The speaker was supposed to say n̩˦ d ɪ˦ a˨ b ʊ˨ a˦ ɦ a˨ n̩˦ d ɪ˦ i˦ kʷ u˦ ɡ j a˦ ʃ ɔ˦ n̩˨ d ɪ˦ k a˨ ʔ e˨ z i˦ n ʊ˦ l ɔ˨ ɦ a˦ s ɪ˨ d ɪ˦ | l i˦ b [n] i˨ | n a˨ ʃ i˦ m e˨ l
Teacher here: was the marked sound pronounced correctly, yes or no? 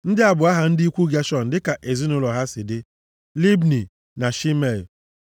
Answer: yes